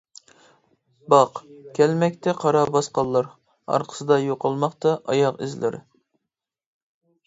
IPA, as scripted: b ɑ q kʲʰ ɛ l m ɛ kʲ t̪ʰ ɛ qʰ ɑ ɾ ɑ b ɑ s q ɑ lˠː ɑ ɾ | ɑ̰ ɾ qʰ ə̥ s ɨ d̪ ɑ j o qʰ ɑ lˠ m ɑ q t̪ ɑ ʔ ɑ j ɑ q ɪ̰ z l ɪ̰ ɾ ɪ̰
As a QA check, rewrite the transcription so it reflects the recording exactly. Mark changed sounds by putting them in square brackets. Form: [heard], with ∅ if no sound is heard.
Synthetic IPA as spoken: b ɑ q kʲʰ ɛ l m ɛ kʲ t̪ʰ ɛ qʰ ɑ ɾ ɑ b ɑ s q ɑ lˠː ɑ ɾ | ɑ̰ ɾ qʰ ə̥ s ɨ d̪ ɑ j o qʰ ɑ lˠ m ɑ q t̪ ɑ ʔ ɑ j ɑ q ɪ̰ z l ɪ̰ ɾ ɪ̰